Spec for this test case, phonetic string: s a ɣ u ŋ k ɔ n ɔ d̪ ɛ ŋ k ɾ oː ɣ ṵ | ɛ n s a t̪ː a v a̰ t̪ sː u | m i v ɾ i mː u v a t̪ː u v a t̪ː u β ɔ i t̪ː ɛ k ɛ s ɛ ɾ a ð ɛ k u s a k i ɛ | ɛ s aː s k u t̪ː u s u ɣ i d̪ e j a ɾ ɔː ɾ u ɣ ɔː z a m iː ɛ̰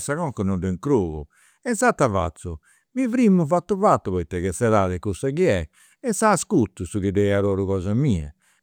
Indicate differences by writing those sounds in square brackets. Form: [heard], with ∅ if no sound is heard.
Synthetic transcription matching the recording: s a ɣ [ɔ] ŋ k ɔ n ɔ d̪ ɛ ŋ k ɾ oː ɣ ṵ | ɛ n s a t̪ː a v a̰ t̪ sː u | m i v ɾ i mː u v a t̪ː u v a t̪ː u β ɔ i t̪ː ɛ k ɛ s ɛ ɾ a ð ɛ k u s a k i ɛ | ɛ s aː s k u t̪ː u s u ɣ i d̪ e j a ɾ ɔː ɾ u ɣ ɔː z a m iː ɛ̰